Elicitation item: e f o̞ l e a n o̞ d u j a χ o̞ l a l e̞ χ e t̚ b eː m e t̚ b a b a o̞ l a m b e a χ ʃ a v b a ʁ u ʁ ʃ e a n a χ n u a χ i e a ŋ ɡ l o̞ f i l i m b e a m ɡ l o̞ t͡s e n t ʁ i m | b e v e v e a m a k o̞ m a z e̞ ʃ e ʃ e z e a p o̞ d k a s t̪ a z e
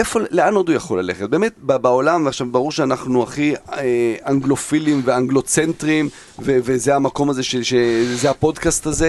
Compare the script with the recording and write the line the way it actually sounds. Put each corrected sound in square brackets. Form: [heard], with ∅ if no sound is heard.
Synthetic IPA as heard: e f o̞ l e a n o̞ d u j a χ o̞ l a l e̞ χ e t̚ b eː m e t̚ b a b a o̞ l a m [v] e a χ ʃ a v b a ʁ u ʁ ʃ e a n a χ n u a χ i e a ŋ ɡ l o̞ f i l i m [v] e a [ŋ] ɡ l o̞ t͡s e n t ʁ i m | [v] e v e [z] e a m a k o̞ m a z e̞ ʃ e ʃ e z e a p o̞ d k a s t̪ a z e